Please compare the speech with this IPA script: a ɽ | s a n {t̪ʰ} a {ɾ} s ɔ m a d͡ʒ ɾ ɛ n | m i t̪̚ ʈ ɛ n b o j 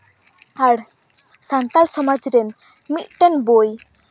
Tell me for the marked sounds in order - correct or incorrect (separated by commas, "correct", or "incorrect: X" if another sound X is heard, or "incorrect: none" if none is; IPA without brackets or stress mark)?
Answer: incorrect: t̪, incorrect: l